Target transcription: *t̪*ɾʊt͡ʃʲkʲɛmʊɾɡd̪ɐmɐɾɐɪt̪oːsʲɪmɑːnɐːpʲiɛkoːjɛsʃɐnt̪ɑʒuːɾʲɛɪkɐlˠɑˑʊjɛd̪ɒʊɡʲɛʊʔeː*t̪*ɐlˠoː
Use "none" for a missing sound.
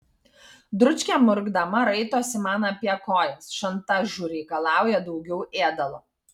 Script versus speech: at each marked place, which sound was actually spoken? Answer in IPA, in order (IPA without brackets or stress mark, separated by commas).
d̪, d̪